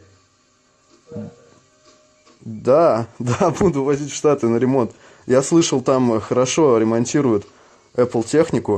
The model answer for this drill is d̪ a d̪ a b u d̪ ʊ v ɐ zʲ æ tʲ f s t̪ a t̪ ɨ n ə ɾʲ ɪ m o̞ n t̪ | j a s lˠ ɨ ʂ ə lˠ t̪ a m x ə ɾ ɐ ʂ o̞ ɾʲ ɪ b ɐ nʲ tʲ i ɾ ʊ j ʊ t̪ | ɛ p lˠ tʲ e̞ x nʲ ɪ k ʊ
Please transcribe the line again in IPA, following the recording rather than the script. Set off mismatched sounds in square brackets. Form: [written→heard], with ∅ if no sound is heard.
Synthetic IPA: d̪ a d̪ a b u d̪ ʊ v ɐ zʲ [æ→i] tʲ f [s→ʂ] t̪ a t̪ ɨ n ə ɾʲ ɪ m o̞ n t̪ | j a s lˠ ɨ ʂ ə lˠ t̪ a m x ə ɾ ɐ ʂ o̞ ɾʲ ɪ [b→m] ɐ nʲ tʲ i ɾ ʊ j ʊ t̪ | ɛ p lˠ tʲ e̞ x nʲ ɪ k ʊ